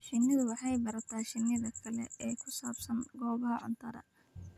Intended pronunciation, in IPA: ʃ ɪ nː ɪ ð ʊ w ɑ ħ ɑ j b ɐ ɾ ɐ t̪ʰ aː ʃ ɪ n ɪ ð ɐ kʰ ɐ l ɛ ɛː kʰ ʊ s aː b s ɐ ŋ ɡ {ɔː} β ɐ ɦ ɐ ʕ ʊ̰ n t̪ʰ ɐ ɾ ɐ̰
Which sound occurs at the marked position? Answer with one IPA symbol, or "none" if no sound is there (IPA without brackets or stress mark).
ɔː